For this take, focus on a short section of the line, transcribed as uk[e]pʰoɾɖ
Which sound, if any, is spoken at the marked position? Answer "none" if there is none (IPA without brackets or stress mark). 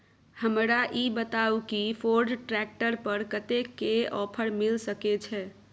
i